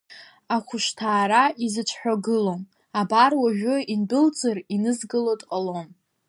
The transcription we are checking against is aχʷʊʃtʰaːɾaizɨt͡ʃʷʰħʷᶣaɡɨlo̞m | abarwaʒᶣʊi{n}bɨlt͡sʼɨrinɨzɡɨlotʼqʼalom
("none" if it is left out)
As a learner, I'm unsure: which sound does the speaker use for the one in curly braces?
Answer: n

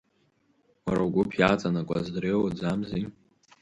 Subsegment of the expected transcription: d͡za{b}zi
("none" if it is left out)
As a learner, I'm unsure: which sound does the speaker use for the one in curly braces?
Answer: m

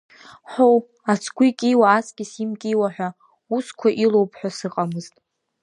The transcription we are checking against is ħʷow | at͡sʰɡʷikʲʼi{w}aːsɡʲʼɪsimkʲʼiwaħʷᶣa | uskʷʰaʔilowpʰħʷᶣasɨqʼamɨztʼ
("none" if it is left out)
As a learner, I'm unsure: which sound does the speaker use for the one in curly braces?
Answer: w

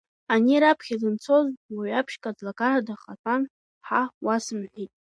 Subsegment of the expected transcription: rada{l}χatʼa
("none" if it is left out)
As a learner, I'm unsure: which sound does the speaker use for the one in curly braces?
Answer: none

